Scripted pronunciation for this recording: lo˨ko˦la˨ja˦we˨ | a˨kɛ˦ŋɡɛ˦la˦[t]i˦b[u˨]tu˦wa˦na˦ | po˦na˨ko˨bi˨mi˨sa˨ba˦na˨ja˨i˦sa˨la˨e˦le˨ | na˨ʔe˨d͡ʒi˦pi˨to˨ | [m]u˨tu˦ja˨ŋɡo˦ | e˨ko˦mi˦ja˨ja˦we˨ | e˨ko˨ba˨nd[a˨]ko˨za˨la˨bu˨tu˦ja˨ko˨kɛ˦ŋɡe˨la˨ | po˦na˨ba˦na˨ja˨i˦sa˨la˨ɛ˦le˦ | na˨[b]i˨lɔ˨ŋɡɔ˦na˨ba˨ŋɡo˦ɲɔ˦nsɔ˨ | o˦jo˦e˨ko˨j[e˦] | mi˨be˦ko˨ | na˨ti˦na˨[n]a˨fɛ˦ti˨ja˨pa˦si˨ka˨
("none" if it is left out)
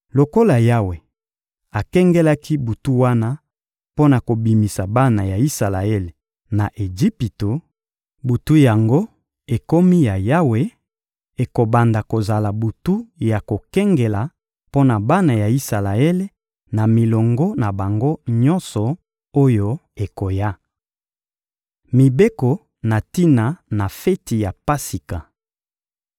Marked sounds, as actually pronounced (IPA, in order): k, u˨, b, a˨, m, a˦, n

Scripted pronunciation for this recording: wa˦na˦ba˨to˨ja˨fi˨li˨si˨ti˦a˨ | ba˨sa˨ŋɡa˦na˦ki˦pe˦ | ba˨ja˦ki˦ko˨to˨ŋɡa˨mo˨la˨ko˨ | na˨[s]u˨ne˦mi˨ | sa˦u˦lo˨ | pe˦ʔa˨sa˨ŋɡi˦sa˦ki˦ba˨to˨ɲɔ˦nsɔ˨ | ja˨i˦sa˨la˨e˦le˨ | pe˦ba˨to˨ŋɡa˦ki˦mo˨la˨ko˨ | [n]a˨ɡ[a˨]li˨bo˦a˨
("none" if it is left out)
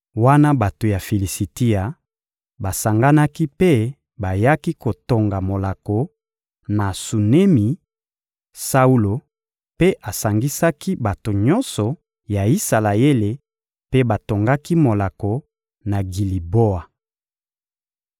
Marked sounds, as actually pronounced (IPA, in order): s, n, i˨

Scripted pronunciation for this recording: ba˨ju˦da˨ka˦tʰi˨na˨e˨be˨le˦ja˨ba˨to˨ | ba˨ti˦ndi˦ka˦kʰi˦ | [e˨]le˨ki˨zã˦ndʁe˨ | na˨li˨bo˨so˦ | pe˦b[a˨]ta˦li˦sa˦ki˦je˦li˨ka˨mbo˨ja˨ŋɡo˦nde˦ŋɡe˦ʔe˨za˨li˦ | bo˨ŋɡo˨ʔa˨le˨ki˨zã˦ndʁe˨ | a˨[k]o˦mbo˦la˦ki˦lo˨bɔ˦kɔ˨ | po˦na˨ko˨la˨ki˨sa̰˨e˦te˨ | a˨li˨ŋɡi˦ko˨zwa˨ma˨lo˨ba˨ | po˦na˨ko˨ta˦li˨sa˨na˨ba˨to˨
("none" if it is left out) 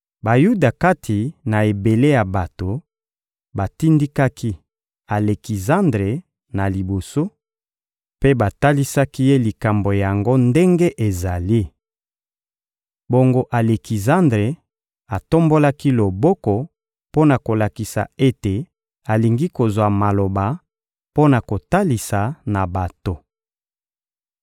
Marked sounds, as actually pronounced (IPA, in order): a˨, a˨, t

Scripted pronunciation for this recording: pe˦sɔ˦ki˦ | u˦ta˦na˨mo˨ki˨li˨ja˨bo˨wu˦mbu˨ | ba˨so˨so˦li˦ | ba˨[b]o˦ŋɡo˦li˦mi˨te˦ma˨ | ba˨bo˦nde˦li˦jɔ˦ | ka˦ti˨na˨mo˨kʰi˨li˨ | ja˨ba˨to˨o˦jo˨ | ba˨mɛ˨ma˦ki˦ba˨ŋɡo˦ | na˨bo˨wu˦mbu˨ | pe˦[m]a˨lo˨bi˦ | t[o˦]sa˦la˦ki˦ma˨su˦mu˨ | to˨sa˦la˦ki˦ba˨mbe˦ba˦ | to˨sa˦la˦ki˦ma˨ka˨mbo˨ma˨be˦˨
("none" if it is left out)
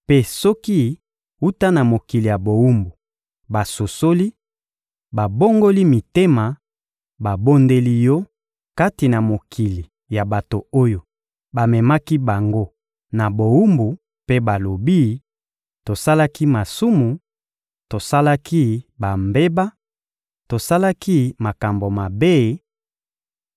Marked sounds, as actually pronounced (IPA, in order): b, b, o˨

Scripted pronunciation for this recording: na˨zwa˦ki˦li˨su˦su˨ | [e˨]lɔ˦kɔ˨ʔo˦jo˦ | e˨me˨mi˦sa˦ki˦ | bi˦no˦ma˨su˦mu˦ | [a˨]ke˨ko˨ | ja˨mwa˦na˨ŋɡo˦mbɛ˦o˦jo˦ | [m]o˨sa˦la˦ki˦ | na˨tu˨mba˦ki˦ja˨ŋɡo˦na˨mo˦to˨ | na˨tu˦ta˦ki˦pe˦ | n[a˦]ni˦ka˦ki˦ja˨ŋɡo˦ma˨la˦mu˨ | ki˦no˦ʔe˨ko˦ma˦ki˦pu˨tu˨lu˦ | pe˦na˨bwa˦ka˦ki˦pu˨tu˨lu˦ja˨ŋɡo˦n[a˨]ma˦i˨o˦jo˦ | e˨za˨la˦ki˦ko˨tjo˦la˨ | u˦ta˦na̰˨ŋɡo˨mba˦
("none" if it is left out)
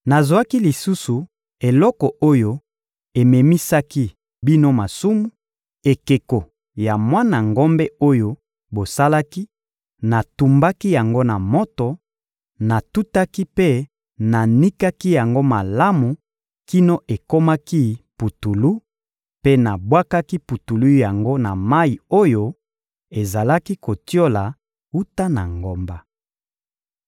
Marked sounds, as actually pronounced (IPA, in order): e˨, e˨, b, a˨, a˨

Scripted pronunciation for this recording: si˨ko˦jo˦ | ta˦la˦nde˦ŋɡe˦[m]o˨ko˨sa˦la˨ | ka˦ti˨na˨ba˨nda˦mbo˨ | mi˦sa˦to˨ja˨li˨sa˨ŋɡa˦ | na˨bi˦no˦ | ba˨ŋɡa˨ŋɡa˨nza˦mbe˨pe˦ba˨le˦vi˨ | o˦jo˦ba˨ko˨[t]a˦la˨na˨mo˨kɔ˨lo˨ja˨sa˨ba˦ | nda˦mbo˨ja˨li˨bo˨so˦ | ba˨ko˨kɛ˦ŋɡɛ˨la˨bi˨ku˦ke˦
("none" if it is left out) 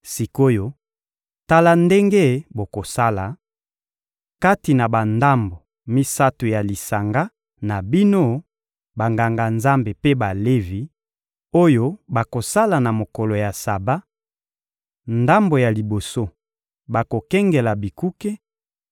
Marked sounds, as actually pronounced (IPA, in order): b, s

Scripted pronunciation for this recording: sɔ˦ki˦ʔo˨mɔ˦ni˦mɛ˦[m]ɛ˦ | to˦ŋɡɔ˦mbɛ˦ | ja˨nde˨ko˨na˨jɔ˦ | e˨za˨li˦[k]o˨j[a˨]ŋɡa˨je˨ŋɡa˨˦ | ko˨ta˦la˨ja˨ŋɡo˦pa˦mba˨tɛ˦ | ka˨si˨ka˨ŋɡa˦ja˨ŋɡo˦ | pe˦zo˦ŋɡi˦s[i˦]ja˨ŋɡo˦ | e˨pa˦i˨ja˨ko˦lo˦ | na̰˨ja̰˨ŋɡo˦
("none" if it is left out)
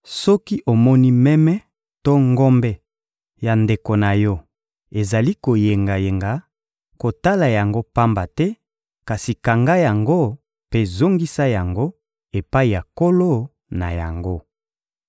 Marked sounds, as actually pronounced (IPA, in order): m, k, e˨, a˦

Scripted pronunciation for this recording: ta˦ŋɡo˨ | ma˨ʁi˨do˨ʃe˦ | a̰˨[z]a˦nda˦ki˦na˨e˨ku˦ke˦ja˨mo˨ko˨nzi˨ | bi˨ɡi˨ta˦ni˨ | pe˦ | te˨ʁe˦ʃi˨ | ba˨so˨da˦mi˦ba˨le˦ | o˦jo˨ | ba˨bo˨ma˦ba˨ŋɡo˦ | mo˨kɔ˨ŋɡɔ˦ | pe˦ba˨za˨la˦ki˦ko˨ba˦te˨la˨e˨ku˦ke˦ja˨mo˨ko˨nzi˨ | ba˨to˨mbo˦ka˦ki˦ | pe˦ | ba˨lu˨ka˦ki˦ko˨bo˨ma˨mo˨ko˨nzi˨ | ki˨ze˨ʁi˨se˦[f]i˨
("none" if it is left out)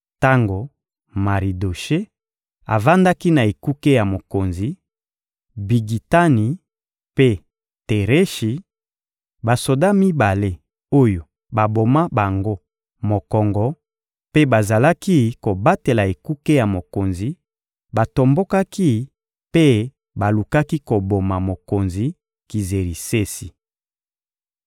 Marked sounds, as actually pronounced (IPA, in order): v, s

